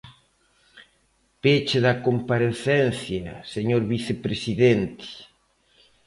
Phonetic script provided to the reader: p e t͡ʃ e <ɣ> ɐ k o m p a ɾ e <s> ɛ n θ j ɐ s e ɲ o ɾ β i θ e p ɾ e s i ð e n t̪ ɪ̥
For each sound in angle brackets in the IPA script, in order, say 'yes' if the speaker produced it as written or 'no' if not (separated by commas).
no, no